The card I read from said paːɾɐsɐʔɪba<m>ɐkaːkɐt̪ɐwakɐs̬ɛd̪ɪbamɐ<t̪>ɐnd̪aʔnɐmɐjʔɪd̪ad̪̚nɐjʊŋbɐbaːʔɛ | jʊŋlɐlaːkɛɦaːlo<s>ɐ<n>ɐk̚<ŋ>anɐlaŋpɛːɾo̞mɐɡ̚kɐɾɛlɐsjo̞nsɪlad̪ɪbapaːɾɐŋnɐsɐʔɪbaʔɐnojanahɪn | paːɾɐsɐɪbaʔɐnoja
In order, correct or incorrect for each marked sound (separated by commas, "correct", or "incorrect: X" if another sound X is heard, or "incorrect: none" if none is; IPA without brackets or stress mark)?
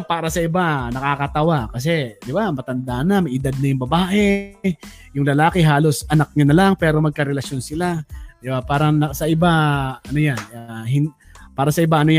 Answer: incorrect: n, correct, correct, correct, incorrect: ɲ